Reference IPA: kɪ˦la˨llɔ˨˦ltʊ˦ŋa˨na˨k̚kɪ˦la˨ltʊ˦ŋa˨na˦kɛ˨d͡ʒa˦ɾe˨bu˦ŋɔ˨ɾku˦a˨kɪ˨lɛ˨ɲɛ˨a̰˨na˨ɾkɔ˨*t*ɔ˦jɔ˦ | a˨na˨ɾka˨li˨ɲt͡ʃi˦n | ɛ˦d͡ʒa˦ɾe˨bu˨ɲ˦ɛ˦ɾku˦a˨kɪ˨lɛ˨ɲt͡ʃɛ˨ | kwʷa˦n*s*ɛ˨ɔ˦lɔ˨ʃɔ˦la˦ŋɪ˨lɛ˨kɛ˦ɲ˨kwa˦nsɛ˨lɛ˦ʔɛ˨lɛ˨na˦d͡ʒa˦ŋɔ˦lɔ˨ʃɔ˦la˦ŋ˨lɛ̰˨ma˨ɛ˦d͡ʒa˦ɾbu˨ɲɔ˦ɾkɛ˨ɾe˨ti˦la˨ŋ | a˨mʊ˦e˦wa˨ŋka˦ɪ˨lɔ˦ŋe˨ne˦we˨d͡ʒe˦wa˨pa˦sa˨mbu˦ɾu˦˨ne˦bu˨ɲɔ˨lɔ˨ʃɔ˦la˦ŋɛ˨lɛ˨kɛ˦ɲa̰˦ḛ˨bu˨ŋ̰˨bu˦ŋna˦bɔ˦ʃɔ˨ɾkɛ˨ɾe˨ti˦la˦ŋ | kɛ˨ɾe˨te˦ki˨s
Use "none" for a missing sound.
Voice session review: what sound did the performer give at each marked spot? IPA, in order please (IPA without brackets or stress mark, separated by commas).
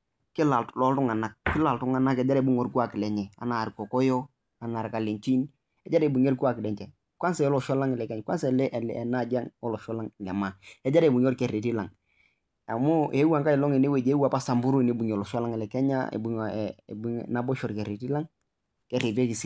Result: k, s